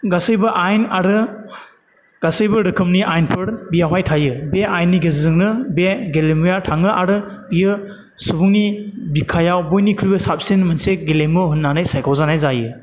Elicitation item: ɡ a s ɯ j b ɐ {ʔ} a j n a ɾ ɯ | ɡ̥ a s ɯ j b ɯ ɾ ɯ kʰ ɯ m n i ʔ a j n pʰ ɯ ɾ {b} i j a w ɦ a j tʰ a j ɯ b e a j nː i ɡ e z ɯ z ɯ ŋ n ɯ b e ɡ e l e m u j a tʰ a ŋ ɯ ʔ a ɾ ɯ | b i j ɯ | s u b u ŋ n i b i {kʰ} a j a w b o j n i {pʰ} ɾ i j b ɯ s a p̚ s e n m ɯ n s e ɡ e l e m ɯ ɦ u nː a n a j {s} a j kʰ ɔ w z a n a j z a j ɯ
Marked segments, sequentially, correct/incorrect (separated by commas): correct, correct, correct, incorrect, correct